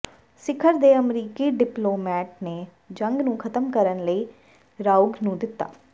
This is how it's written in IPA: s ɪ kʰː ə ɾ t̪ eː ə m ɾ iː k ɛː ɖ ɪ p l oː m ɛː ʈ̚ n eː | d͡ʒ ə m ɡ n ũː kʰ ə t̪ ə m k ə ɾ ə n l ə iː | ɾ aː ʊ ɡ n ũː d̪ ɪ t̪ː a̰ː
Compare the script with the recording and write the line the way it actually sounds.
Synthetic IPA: s ɪ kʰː ə ɾ d̪ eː ə m ɾ iː k iː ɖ ɪ p l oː m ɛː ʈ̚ n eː | d͡ʒ ə ŋ ɡ n ũː kʰ ə t̪ ə m k ə ɾ ə n l ə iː | ɾ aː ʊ ɡ n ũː d̪ ɪ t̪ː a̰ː